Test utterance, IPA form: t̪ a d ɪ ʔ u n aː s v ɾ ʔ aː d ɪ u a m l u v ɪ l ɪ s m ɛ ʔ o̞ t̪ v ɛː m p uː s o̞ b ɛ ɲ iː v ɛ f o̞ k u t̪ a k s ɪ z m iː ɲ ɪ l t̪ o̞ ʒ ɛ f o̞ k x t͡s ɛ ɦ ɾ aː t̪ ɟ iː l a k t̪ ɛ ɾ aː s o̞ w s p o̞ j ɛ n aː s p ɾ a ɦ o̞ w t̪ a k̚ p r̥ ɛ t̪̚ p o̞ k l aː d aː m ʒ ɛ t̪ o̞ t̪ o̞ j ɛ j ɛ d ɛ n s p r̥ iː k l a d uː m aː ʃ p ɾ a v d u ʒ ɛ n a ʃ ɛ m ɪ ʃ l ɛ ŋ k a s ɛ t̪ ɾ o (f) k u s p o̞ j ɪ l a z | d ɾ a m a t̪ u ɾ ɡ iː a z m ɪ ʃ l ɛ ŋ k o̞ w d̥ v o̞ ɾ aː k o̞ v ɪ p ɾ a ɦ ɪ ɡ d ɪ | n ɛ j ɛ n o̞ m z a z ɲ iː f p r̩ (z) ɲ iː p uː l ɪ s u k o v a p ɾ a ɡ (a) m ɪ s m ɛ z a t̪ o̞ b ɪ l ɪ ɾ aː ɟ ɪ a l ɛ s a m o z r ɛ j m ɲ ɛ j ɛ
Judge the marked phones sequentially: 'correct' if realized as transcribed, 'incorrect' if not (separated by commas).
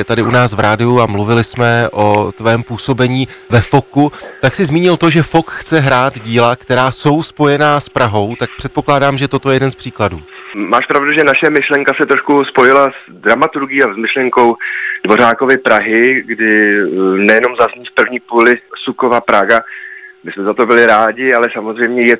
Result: incorrect, incorrect, correct